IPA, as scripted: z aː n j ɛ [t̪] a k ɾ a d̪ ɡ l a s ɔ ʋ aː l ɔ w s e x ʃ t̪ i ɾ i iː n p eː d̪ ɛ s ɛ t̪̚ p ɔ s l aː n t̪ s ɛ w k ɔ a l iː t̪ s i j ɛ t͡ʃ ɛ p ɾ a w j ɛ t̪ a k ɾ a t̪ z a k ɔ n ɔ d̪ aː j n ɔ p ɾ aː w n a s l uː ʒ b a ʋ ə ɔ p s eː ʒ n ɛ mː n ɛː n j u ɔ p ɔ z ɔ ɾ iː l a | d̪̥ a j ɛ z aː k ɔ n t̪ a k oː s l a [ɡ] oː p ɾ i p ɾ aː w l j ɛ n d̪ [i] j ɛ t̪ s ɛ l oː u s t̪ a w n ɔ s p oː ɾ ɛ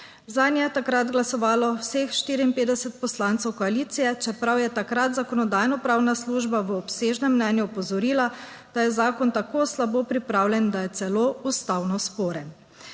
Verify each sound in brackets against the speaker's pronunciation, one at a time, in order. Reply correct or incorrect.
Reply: correct, incorrect: b, incorrect: a

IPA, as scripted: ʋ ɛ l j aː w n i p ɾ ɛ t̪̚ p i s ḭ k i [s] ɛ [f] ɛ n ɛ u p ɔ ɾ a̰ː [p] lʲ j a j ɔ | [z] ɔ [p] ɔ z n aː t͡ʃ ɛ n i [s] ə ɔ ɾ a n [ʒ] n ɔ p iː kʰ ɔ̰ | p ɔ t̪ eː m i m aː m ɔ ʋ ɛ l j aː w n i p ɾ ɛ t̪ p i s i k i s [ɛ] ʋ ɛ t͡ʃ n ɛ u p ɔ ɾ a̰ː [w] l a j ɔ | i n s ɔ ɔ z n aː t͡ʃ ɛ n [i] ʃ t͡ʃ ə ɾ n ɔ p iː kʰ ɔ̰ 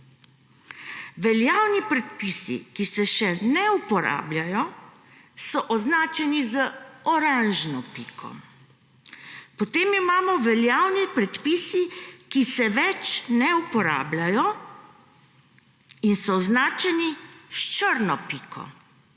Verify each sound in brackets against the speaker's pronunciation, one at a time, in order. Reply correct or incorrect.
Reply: correct, incorrect: ʃ, incorrect: b, incorrect: s, incorrect: ʔ, incorrect: z, correct, correct, incorrect: b, correct

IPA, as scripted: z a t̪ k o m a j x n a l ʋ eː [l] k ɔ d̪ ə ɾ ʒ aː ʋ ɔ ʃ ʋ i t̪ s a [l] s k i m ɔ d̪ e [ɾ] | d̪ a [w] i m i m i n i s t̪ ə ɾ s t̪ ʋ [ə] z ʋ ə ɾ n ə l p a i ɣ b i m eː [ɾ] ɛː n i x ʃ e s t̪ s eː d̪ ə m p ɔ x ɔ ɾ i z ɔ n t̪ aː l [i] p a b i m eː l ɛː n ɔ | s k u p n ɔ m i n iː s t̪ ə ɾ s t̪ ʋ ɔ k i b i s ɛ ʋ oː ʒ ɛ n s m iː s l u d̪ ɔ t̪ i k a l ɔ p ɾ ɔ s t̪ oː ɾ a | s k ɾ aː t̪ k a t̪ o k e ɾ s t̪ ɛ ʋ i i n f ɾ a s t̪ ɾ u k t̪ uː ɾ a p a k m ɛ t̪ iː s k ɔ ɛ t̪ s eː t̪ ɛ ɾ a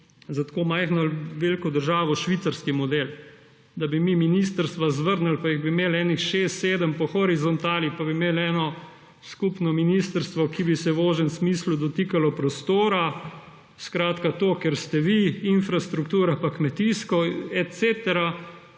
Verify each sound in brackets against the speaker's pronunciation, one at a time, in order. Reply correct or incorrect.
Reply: correct, incorrect: ɾ, incorrect: l, incorrect: b, incorrect: a, incorrect: l, correct

